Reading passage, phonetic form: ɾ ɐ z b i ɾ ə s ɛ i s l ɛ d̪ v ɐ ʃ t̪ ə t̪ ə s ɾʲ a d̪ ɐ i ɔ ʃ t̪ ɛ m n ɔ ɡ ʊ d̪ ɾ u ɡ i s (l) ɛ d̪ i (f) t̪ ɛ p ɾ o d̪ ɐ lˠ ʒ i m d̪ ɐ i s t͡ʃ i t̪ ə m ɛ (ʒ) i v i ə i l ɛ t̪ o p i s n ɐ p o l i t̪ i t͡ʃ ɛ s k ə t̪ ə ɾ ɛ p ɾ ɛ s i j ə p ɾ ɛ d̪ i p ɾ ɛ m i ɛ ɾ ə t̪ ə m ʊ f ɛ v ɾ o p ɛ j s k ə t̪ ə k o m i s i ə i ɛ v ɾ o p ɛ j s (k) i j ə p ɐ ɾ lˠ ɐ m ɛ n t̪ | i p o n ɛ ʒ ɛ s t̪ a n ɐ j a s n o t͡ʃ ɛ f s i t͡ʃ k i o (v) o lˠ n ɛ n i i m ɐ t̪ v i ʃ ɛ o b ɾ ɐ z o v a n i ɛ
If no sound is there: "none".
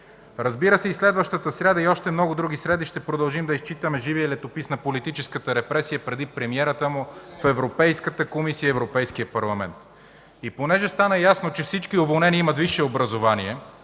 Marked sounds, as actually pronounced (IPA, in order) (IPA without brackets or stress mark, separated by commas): ɾ, ʃ, ʒ, k, v